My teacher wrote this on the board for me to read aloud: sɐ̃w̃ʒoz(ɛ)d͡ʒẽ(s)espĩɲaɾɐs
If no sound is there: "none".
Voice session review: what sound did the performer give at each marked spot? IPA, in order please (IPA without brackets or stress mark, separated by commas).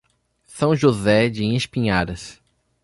ɛ, none